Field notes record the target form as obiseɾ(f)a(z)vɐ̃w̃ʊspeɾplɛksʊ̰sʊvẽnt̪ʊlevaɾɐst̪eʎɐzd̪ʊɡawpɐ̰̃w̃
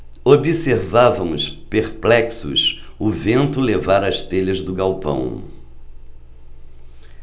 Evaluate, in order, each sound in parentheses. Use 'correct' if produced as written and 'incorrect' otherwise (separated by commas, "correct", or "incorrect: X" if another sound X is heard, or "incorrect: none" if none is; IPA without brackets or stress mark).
incorrect: v, incorrect: none